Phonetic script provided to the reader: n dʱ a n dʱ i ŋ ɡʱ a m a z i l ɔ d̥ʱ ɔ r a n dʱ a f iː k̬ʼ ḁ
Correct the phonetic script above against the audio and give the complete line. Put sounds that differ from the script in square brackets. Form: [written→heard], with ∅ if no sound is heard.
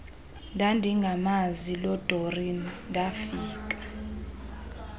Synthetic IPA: n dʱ a n dʱ i ŋ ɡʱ a m a z i l ɔ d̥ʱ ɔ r [a→i] n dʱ a f iː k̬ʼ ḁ